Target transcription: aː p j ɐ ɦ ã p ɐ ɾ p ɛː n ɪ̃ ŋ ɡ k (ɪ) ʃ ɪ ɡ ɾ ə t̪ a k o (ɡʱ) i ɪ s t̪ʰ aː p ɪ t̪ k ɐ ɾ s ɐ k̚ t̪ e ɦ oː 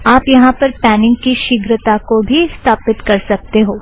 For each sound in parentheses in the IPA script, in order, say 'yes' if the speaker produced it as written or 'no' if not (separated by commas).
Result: no, no